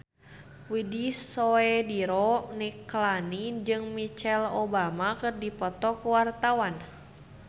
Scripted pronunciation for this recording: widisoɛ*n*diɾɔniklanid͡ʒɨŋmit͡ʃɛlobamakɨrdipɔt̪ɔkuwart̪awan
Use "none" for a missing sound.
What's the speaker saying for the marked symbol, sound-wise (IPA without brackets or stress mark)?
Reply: none